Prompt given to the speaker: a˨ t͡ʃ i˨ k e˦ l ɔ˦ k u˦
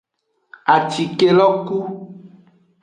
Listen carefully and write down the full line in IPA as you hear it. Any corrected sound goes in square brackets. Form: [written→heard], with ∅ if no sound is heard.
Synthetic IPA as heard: a˨ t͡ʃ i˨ k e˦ l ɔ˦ k u˦